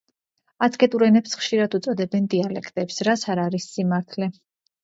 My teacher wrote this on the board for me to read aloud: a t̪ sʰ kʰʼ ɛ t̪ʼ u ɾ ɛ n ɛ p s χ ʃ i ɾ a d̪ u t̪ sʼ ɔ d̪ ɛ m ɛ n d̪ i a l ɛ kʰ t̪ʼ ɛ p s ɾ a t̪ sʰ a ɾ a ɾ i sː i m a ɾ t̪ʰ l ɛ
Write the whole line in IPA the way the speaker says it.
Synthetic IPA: a t̪ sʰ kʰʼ ɛ t̪ʼ u ɾ ɛ n ɛ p s χ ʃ i ɾ a d̪ u t̪ sʼ ɔ d̪ ɛ b ɛ n d̪ i a l ɛ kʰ t̪ʼ ɛ p s ɾ a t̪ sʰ a ɾ a ɾ i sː i m a ɾ t̪ʰ l ɛ